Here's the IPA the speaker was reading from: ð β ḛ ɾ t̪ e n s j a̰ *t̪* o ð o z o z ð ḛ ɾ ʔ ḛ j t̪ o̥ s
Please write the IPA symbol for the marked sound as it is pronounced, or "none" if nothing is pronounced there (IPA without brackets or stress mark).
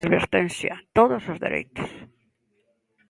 t̪